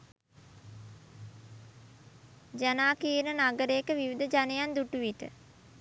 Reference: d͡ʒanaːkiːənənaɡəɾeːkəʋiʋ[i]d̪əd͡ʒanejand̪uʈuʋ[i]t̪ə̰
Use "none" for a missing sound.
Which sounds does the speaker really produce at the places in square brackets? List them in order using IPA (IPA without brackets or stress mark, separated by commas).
i, i